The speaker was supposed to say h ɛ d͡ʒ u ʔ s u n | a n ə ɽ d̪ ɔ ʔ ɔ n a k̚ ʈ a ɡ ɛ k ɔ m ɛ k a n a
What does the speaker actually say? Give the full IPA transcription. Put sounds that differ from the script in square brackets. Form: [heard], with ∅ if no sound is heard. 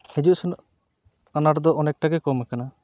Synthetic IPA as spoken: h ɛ d͡ʒ u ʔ s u n | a n [a] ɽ d̪ ɔ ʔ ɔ n [ɛ] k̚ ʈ a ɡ ɛ k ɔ m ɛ k a n a